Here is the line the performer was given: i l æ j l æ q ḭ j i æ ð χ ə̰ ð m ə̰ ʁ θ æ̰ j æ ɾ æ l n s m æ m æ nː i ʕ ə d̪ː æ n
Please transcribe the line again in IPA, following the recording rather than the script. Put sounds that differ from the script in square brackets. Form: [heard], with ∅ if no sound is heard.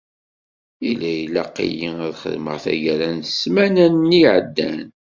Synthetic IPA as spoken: i l æ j l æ q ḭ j i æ ð χ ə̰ ð m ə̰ ʁ θ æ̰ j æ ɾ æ [∅] n s m æ [n] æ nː i ʕ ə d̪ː æ n